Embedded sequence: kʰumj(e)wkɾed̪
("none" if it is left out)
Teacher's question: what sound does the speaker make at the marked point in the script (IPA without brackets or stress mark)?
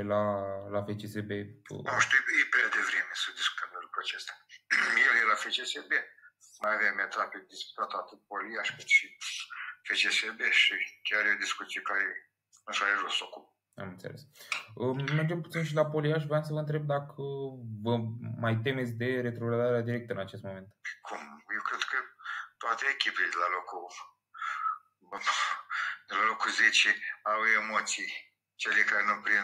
e